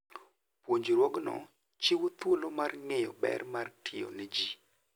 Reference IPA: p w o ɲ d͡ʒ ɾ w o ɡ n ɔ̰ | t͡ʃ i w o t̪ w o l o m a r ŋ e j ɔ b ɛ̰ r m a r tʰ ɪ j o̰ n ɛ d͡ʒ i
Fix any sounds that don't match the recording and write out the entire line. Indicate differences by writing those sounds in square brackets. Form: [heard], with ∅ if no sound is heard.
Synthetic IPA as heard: p w o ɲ d͡ʒ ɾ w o ɡ n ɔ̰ | t͡ʃ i w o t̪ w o l o m a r ŋ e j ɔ b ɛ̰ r m a r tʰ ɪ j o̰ n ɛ d͡ʒ i